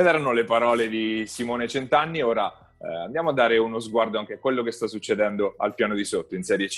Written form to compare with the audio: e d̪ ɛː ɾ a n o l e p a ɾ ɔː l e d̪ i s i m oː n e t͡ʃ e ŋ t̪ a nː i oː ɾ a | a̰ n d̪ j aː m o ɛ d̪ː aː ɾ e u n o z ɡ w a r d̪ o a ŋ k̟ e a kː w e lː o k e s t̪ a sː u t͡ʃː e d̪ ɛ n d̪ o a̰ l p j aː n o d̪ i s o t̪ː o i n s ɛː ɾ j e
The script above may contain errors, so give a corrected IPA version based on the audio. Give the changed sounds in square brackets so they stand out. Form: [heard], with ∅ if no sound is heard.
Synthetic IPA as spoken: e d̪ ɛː ɾ a n o l e p a ɾ ɔː l e d̪ i s i m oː n e t͡ʃ e [n] t̪ a nː i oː ɾ a | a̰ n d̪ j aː m o [a] d̪ː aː ɾ e u n o z ɡ w a r d̪ o a ŋ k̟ e a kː w e lː o k e s t̪ a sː u t͡ʃː e d̪ ɛ n d̪ o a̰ l p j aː n o d̪ i s o t̪ː o i n s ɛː ɾ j e